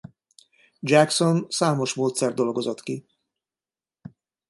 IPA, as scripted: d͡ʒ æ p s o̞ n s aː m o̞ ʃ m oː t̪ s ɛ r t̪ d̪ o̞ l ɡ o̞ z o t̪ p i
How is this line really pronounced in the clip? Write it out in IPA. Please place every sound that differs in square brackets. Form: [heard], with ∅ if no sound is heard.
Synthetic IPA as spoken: d͡ʒ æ [k] s o̞ n s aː m o̞ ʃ m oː t̪ s ɛ r [d̪] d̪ o̞ l ɡ o̞ z o t̪ [k] i